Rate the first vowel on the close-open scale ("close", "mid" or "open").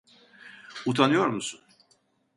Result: close